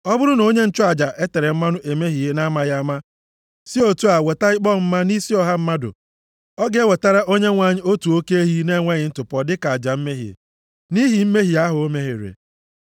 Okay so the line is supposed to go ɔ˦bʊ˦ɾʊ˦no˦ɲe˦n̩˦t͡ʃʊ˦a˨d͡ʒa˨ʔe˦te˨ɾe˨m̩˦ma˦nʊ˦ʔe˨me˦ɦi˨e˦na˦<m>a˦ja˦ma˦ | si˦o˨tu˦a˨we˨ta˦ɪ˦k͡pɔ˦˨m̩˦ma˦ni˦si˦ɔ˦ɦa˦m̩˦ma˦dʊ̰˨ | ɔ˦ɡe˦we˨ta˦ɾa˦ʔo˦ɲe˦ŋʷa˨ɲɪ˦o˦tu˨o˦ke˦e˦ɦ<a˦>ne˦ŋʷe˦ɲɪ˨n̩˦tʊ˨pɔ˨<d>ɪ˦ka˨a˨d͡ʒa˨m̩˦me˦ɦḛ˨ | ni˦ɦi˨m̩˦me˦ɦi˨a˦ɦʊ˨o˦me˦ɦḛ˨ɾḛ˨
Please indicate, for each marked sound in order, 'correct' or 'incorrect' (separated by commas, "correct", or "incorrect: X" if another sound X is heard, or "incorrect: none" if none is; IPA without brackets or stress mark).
correct, incorrect: i˦, correct